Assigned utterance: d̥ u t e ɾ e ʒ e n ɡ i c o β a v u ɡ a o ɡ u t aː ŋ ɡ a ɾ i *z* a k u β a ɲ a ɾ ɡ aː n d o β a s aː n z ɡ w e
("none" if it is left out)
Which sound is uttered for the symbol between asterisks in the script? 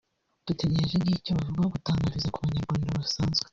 z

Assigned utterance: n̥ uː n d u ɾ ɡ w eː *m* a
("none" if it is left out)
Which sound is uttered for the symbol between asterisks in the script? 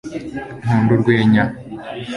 ɲ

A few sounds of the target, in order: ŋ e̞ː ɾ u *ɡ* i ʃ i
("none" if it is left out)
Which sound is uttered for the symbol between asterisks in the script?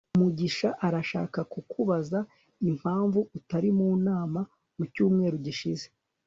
ɟ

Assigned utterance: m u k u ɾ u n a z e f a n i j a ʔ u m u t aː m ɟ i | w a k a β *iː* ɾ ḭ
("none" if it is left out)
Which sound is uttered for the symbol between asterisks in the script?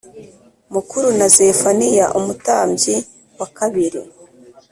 i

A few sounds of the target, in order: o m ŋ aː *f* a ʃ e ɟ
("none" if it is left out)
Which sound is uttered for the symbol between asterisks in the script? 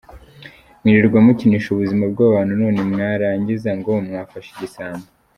f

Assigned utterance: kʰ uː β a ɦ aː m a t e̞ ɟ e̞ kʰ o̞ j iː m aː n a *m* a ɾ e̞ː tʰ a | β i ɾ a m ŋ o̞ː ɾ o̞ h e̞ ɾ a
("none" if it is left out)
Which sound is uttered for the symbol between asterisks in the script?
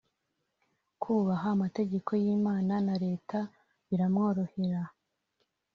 n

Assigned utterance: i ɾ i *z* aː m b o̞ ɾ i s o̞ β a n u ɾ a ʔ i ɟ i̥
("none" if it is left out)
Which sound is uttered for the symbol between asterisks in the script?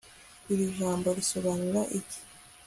ʒ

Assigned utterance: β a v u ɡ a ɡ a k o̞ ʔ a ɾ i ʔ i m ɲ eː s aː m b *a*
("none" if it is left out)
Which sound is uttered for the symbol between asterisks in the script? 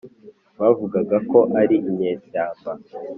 a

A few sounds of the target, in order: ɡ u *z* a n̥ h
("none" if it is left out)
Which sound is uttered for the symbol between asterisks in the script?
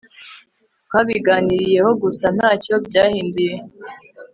s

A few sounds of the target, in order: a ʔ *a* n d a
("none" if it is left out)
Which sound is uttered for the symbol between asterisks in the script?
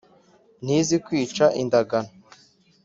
i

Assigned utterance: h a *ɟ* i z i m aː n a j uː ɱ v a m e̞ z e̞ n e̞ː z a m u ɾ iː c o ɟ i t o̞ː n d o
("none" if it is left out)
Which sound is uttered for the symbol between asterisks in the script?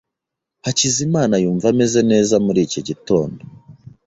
c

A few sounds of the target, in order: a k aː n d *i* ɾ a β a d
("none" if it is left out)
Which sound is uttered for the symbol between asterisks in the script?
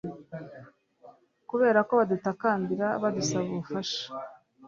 i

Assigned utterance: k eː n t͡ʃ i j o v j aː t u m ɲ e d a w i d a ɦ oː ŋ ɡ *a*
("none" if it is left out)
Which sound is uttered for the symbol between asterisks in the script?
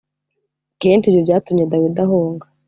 a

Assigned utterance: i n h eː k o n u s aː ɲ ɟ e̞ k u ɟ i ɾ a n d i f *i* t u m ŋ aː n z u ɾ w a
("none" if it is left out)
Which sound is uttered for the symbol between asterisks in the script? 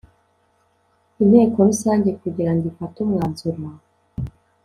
a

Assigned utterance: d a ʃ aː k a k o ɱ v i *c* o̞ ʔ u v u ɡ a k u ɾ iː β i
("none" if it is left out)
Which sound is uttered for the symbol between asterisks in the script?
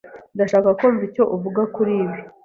c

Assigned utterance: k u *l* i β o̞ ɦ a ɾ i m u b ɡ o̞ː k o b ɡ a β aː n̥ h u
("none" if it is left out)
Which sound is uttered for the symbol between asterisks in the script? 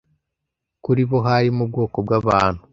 ɾ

